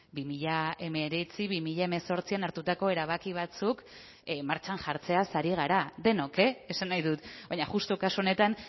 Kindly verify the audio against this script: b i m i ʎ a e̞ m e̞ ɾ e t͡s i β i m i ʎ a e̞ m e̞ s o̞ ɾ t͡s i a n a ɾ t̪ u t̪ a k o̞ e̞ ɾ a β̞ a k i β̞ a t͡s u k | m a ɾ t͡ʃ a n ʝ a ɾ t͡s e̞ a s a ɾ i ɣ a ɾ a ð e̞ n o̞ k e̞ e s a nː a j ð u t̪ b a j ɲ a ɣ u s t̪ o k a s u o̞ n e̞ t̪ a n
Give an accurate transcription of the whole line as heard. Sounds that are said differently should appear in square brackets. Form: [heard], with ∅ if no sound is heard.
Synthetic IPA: b i m i ʎ a e̞ m e̞ ɾ e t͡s i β i m i ʎ a e̞ m e̞ s o̞ ɾ t͡s i a n a ɾ t̪ u t̪ a k o̞ e̞ ɾ a β̞ a k i β̞ a t͡s u k | m a ɾ t͡ʃ a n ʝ a ɾ t͡s e̞ a s a ɾ i ɣ a ɾ a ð e̞ n o̞ k e̞ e s a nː a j ð u t̪ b a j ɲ a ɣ u s t̪ o k a s u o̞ n e̞ t̪ a n